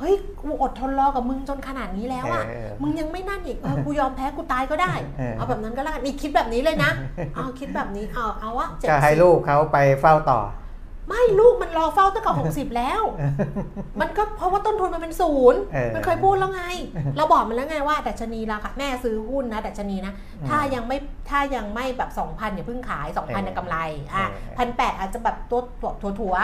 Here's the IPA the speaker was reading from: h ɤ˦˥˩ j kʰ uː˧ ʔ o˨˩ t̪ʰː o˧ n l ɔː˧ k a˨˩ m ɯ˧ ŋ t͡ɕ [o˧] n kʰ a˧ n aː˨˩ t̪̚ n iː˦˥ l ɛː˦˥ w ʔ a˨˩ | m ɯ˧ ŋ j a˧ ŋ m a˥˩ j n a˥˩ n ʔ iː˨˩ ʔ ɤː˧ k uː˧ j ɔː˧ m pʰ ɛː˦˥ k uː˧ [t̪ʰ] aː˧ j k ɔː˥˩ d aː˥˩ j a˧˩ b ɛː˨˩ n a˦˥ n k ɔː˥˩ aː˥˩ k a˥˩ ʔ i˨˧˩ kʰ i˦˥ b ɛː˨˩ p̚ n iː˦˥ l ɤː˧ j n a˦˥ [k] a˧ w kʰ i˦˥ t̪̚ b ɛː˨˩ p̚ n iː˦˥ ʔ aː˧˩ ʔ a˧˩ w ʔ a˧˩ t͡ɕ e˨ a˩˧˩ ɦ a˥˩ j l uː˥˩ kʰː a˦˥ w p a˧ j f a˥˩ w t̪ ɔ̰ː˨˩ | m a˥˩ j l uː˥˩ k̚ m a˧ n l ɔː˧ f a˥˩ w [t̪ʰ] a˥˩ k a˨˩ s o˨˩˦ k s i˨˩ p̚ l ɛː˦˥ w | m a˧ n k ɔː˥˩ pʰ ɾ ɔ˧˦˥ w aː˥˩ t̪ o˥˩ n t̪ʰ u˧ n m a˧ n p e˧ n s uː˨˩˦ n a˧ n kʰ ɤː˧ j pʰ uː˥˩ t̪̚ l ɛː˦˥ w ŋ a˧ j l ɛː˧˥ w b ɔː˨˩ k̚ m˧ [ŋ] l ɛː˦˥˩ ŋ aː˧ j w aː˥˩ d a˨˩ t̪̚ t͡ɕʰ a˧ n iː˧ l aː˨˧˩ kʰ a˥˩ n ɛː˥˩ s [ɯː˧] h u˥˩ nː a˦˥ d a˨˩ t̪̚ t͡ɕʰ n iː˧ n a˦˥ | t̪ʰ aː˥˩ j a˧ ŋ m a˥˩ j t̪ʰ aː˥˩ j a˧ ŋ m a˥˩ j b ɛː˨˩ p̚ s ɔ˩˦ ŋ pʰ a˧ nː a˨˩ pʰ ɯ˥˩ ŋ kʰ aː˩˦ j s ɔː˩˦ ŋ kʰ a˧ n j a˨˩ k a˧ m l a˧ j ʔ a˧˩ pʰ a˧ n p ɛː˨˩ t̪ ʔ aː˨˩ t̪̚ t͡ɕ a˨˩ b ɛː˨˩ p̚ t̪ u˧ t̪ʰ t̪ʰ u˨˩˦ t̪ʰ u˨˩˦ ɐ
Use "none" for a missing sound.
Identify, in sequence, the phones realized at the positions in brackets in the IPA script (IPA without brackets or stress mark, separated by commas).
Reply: o˧, t̪, ʔ, t̪, n, ɯː˦˥